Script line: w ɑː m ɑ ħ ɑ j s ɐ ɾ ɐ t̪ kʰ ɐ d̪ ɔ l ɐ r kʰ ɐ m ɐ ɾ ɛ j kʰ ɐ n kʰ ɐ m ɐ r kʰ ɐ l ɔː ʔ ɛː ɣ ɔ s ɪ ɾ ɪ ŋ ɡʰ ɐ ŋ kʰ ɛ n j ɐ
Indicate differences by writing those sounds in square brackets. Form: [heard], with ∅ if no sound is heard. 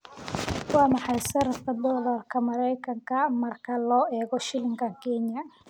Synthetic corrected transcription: w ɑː m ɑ ħ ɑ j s ɐ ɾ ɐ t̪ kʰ ɐ d̪ ɔ l ɐ r kʰ ɐ m ɐ ɾ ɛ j kʰ ɐ [ŋ] kʰ ɐ m ɐ r kʰ ɐ l ɔː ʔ ɛː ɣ ɔ [ʃ] ɪ [l] ɪ ŋ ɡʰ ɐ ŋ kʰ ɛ n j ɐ